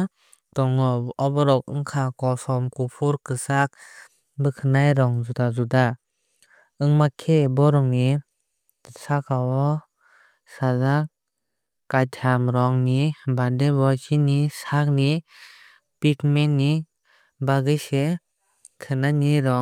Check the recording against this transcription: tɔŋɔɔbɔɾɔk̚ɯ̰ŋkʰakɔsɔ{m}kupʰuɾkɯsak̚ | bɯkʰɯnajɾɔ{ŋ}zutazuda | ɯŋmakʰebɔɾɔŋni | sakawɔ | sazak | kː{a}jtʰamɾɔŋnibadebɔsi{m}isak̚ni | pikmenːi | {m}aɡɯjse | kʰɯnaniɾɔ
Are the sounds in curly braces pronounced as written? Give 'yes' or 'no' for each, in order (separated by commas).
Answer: yes, yes, yes, no, no